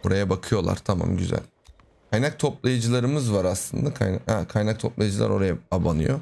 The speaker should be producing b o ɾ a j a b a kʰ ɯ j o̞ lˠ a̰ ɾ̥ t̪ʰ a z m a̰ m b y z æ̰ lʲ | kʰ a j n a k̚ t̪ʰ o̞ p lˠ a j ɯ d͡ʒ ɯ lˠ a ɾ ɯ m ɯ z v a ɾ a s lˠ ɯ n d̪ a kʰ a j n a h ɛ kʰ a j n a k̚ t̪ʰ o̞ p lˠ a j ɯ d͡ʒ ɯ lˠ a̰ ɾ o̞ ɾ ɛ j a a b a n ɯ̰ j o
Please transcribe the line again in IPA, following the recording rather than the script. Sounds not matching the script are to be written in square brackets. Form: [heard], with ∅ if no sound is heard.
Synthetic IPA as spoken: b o ɾ a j a b a kʰ ɯ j o̞ lˠ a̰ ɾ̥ t̪ʰ a [∅] m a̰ m [ɟ] y z æ̰ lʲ | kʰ a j n a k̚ t̪ʰ o̞ p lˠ a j ɯ d͡ʒ ɯ lˠ a ɾ ɯ m ɯ z v a ɾ a s lˠ ɯ n d̪ a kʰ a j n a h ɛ kʰ a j n a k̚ t̪ʰ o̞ p lˠ a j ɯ d͡ʒ ɯ lˠ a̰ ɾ o̞ ɾ [a] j a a b a n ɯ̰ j o